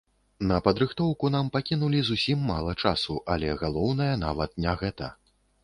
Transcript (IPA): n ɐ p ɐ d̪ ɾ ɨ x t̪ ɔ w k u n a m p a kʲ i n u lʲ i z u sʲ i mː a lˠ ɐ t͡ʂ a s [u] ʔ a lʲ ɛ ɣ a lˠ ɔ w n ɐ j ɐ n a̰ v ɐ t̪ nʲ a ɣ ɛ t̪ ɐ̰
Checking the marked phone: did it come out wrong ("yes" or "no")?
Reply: no